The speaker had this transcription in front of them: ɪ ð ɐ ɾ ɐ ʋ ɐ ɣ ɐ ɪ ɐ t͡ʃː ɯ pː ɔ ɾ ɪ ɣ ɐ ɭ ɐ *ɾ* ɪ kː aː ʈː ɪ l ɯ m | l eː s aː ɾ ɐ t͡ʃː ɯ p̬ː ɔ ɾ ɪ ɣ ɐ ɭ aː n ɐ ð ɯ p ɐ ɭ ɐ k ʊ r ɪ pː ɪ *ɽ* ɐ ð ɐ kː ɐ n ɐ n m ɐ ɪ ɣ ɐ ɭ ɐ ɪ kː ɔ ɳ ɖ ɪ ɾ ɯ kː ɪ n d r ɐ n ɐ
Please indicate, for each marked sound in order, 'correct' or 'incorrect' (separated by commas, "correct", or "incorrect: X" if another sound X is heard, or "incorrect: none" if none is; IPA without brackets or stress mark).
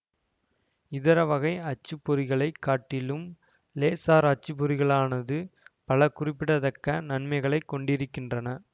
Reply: incorrect: none, correct